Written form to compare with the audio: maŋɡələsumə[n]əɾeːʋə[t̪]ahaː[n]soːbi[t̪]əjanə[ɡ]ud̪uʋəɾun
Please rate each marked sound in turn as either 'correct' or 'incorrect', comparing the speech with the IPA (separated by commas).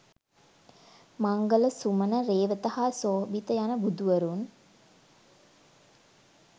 correct, correct, incorrect, correct, incorrect